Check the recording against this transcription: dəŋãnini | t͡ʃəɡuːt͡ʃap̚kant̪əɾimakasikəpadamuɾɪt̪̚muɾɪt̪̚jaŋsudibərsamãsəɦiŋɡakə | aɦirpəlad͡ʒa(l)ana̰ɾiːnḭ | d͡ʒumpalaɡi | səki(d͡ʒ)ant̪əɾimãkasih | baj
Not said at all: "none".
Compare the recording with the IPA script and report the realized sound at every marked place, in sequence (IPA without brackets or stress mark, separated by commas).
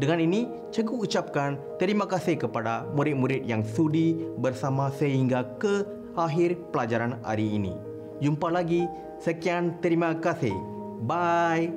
ɾ, none